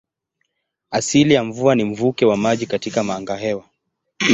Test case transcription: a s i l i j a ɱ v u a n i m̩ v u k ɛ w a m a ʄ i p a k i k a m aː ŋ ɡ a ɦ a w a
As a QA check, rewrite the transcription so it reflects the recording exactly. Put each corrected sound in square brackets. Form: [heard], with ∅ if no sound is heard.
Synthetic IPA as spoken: a s i l i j a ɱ v u a n i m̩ v u k ɛ w a m a ʄ i [k] a [t] i k a m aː ŋ ɡ a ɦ [ɛ] w a